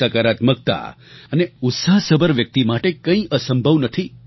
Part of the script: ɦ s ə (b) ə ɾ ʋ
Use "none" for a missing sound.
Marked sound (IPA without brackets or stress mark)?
b